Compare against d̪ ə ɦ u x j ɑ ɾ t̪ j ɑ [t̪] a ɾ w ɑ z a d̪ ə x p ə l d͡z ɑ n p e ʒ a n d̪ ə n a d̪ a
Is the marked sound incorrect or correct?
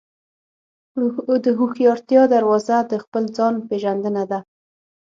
incorrect: d̪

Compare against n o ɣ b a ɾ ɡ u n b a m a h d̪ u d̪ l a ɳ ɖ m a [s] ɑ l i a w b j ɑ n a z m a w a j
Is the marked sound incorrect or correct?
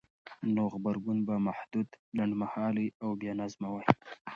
incorrect: h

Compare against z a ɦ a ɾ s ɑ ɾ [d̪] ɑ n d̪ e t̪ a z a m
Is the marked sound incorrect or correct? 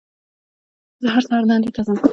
correct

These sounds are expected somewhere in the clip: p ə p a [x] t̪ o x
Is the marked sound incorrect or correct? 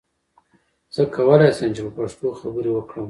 incorrect: ʂ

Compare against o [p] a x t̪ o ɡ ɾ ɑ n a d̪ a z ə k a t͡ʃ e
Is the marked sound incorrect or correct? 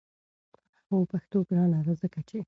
correct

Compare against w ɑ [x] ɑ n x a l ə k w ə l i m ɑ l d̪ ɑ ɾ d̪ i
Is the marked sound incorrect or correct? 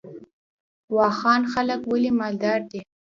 correct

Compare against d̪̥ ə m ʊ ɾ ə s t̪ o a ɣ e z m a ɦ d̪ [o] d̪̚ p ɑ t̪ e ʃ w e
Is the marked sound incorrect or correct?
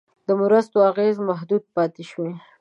incorrect: u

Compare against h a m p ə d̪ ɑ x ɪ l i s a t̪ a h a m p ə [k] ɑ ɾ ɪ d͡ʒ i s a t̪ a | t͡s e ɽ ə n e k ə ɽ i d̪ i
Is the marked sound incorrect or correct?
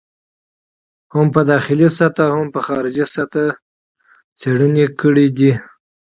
incorrect: x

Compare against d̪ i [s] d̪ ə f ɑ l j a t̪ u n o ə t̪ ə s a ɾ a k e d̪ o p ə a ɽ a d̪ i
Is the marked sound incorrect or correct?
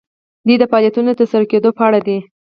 incorrect: none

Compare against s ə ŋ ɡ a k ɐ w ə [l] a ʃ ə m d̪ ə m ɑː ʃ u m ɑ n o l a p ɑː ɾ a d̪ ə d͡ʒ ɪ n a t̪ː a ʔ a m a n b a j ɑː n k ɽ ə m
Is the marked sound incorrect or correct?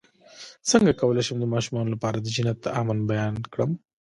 correct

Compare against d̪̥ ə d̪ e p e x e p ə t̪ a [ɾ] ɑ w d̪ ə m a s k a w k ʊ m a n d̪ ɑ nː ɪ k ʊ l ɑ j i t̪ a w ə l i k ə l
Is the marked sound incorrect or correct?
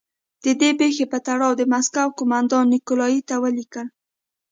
incorrect: ɽ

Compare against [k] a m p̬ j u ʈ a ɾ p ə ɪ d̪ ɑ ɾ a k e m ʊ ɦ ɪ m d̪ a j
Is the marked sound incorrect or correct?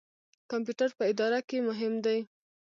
correct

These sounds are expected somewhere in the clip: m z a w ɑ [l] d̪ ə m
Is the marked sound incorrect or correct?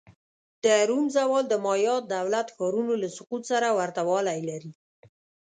correct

